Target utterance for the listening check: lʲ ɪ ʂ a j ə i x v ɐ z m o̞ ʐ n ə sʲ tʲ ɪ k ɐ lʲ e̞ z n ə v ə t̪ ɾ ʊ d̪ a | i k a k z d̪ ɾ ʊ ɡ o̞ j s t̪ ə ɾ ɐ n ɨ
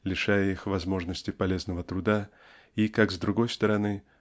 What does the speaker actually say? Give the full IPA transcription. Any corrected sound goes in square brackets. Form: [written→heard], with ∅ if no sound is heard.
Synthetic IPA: lʲ ɪ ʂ a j ə i x v ɐ z m o̞ ʐ n ə sʲ tʲ ɪ [k→p] ɐ lʲ e̞ z n ə v ə t̪ ɾ ʊ d̪ a | i k a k z d̪ ɾ ʊ ɡ o̞ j s t̪ ə ɾ ɐ n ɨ